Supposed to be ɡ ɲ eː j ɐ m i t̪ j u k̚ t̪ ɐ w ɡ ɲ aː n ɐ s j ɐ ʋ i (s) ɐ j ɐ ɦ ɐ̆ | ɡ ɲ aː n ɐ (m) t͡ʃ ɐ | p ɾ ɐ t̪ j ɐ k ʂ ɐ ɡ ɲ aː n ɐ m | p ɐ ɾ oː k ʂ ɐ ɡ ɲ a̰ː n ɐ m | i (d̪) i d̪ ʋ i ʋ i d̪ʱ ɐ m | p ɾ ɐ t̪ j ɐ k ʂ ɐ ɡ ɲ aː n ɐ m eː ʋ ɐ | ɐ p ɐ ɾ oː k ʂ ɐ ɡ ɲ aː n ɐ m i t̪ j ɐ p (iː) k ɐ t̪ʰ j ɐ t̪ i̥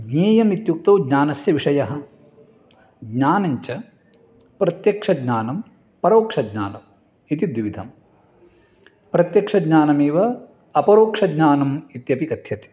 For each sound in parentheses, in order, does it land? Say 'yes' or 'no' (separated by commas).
no, no, no, no